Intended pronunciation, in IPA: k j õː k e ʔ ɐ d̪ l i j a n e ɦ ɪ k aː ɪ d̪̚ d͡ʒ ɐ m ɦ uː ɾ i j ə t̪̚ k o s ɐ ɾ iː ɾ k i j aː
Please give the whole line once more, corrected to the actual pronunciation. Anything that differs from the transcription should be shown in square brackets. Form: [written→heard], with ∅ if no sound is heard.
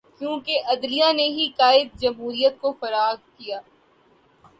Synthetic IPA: k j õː k e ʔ ɐ d̪ l i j a n e ɦ [ɪ→i] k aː ɪ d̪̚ d͡ʒ ɐ m ɦ uː ɾ i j ə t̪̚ k o [s→f] ɐ ɾ [iː→aː] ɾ k i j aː